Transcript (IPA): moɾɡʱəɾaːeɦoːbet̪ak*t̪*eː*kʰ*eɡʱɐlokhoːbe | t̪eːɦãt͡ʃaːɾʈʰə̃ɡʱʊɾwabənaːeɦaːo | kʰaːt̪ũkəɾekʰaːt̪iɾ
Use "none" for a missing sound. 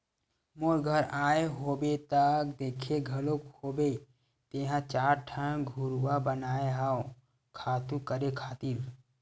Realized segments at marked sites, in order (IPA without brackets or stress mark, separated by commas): d̪, kʰ